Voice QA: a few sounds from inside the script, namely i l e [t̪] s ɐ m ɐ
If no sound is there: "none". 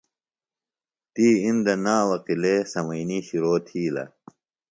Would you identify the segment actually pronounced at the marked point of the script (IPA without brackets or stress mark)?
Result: none